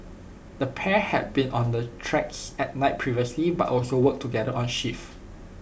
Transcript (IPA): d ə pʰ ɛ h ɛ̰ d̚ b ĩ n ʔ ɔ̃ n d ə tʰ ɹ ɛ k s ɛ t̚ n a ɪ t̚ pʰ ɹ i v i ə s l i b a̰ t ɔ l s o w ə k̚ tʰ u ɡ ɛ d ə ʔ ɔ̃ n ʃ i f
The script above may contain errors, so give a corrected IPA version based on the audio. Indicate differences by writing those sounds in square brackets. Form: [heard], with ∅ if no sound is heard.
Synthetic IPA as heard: d ə pʰ ɛ h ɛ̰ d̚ b ĩ n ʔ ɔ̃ n d ə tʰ ɹ ɛ k s ɛ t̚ n a ɪ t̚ pʰ ɹ i v i ə s l i b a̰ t ɔ l s o w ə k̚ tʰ u ɡ ɛ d ə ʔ ɔ̃ n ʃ i f